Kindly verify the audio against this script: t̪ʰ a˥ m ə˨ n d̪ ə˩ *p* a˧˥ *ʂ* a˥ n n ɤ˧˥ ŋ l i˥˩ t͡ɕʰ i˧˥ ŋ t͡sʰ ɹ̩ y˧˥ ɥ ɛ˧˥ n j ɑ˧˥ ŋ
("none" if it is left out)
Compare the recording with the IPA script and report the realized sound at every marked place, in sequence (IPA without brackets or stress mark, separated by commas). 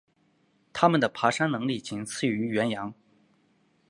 pʰ, ʂ